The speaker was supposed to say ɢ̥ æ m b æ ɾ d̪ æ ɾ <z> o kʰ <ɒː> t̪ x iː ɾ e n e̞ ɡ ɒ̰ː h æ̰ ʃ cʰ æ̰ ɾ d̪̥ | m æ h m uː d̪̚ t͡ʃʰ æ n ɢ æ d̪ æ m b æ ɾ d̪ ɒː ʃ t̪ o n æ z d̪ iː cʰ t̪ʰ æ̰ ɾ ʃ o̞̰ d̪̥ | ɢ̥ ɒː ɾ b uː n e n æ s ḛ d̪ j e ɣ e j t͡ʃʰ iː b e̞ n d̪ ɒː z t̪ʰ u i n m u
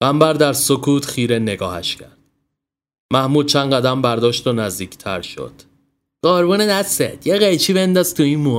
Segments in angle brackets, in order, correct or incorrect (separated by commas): incorrect, incorrect